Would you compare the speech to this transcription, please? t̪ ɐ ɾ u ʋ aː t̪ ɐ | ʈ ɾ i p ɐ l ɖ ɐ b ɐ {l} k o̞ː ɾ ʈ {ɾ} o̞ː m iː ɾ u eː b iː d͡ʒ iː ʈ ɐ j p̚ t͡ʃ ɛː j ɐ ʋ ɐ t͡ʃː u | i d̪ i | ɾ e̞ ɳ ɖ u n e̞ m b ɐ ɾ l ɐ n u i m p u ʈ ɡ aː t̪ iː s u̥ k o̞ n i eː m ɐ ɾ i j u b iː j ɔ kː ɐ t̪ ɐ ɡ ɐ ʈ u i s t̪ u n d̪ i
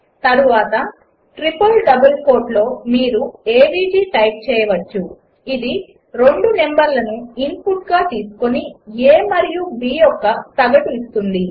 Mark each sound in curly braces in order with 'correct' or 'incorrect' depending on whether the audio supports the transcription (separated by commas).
correct, incorrect